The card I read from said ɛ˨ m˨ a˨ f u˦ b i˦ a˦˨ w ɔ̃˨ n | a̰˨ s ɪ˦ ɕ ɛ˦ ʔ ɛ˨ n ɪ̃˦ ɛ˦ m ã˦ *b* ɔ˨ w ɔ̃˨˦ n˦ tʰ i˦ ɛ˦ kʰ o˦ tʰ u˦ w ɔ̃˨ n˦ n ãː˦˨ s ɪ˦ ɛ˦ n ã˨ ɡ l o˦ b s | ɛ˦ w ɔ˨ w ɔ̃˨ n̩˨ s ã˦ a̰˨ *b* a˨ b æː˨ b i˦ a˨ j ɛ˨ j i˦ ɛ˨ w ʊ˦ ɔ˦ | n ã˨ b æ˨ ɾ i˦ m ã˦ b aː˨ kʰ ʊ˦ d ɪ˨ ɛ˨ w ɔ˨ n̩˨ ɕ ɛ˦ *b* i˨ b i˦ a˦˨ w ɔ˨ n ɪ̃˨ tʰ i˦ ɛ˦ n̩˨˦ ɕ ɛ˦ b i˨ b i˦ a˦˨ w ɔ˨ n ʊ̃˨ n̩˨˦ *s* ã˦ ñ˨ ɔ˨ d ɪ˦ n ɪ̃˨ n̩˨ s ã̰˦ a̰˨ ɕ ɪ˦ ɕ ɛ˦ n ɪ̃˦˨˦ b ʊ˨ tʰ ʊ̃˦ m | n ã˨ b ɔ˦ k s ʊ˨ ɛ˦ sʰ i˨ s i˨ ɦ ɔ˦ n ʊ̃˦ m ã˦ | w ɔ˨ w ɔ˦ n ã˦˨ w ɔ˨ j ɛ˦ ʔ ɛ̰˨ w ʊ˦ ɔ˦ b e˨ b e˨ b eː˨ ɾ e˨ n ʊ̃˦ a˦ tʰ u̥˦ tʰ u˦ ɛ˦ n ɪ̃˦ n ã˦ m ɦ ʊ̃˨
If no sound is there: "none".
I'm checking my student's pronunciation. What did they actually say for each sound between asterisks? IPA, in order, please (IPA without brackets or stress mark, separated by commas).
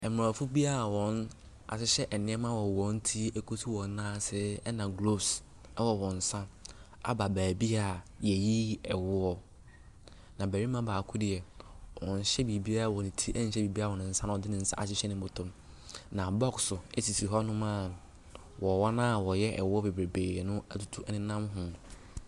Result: w, b, b, s